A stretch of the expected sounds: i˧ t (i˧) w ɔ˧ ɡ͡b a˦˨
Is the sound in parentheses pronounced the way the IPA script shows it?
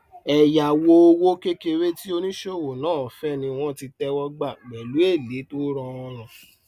no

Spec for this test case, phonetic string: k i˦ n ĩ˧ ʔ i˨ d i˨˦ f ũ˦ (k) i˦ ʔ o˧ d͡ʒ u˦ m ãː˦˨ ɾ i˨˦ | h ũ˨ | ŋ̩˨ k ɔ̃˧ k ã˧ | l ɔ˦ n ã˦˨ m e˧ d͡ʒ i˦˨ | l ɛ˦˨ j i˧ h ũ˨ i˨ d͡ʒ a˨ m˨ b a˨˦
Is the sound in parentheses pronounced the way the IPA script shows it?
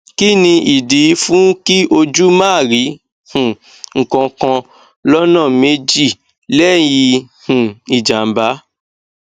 yes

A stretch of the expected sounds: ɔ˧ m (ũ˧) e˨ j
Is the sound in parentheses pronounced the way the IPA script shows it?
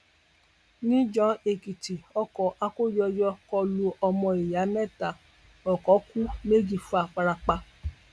no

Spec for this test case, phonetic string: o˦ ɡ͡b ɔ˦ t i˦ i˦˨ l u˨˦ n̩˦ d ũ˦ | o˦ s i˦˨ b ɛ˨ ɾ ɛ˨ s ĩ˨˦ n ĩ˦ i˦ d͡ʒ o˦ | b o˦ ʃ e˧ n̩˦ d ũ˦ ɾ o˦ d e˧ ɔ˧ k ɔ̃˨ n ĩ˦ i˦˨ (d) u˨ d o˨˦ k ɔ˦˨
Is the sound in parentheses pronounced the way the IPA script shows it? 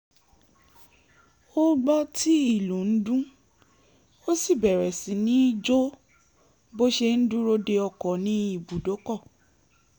no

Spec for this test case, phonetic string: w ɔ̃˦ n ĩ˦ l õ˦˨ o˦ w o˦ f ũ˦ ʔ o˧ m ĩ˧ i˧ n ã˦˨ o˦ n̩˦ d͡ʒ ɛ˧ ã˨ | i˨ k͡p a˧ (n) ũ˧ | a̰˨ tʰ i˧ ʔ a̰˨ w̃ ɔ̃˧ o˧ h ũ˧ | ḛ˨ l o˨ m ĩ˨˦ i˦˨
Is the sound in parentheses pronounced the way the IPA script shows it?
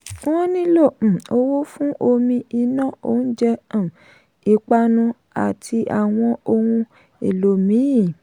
yes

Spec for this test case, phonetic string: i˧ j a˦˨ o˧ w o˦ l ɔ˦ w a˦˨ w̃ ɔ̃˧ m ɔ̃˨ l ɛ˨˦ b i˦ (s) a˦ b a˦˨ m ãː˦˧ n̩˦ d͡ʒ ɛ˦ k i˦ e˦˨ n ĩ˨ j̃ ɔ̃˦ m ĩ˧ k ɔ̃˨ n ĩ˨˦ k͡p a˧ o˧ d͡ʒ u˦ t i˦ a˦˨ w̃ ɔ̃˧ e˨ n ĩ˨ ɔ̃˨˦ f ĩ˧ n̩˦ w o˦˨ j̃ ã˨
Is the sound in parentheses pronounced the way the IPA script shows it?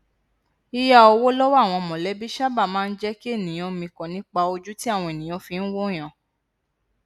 no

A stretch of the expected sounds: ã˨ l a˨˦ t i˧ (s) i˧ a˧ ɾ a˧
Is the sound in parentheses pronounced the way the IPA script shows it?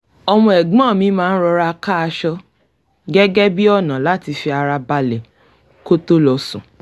no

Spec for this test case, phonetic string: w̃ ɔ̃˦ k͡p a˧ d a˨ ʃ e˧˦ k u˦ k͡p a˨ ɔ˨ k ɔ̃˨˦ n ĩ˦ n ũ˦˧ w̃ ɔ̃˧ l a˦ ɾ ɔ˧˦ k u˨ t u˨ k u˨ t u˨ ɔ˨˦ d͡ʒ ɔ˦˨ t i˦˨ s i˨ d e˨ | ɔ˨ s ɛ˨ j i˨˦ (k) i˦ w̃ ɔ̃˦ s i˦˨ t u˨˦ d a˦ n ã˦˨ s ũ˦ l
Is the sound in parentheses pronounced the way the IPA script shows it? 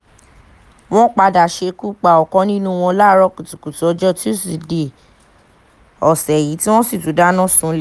no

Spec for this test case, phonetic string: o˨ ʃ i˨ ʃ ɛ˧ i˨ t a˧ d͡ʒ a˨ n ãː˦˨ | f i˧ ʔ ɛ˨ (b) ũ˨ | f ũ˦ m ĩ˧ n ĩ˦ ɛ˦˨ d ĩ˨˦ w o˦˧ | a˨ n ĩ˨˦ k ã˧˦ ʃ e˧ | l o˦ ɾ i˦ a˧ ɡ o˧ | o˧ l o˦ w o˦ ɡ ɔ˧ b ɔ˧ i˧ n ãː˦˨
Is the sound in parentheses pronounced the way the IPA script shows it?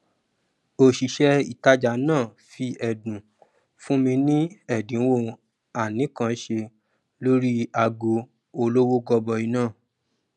no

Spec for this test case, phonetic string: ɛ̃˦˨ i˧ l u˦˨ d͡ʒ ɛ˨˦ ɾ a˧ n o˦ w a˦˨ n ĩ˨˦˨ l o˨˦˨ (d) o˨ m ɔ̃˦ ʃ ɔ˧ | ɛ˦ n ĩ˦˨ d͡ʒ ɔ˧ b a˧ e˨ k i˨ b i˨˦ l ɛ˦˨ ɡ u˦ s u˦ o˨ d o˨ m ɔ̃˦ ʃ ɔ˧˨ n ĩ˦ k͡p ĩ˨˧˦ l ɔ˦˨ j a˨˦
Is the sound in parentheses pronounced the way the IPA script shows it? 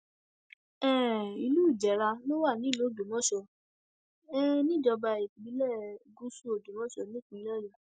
yes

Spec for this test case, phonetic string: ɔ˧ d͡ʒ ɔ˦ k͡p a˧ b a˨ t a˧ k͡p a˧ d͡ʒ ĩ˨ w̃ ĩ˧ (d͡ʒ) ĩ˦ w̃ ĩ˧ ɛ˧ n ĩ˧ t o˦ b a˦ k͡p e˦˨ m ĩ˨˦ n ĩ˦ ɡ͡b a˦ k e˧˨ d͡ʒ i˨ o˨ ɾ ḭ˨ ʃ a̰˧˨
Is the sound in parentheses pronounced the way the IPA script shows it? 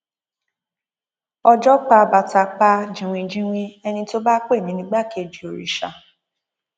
yes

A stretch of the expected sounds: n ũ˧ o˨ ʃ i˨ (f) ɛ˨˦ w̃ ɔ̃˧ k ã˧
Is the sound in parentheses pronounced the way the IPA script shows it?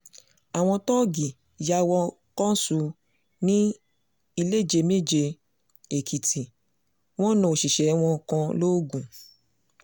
no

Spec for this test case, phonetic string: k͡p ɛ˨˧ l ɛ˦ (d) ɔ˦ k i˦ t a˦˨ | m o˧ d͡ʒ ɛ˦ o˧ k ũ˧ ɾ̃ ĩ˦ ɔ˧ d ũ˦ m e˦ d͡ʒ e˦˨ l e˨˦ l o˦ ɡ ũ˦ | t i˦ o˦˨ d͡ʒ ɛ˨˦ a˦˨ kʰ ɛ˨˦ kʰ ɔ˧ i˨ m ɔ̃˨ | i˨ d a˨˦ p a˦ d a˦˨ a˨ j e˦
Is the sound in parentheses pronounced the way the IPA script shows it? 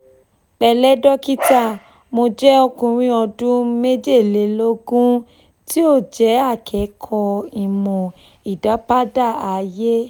yes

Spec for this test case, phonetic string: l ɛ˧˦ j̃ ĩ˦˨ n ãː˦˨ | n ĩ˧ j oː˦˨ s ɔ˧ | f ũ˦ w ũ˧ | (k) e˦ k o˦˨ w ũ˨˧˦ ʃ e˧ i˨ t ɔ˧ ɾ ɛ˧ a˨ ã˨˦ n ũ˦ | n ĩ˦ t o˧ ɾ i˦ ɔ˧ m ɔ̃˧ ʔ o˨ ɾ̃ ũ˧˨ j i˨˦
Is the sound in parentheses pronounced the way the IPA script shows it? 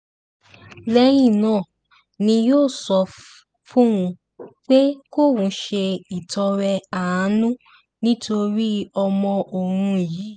no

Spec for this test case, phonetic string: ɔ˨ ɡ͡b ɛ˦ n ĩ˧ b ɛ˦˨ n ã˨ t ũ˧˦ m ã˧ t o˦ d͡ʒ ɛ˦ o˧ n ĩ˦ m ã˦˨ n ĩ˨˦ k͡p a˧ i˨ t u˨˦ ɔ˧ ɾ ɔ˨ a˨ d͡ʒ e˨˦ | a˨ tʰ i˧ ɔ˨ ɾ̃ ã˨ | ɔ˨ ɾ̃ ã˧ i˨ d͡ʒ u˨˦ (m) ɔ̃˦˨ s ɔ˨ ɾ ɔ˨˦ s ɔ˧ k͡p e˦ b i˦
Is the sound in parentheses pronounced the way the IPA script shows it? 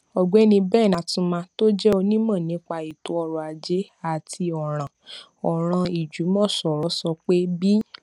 yes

